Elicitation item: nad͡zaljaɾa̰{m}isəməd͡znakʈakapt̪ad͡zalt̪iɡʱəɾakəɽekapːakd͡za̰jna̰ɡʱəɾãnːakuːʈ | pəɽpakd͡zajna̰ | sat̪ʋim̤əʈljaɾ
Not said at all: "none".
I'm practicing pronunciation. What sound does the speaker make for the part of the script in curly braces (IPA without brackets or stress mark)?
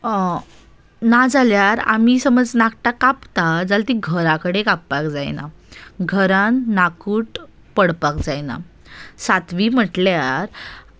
m